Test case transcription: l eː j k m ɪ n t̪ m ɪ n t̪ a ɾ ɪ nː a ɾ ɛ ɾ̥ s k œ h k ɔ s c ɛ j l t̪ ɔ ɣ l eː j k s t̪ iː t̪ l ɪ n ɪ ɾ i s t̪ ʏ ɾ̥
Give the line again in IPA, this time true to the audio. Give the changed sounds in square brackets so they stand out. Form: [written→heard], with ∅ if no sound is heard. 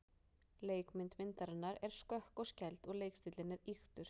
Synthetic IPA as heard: l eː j k m ɪ n t̪ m ɪ n t̪ a ɾ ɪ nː a ɾ ɛ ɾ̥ s k œ h k ɔ s c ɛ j l t̪ ɔ ɣ l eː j k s t̪ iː t̪ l ɪ n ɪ ɾ i [s→x] t̪ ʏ ɾ̥